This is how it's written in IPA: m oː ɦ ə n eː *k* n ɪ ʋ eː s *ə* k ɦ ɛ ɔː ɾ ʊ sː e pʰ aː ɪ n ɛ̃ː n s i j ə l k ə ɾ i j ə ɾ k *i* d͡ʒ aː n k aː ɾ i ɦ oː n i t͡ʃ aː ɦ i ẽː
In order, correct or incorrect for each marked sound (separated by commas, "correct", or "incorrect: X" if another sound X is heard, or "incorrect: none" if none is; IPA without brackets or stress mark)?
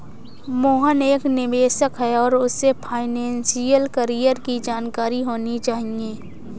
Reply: correct, correct, correct